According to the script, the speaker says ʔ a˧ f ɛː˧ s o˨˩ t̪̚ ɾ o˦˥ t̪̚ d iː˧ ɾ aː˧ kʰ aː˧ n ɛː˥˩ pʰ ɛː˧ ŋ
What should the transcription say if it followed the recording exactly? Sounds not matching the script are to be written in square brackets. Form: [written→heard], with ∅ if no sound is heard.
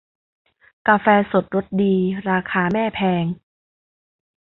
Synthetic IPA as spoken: [ʔ→k] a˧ f ɛː˧ s o˨˩ t̪̚ ɾ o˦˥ t̪̚ d iː˧ ɾ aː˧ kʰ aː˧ [n→m] ɛː˥˩ pʰ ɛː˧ ŋ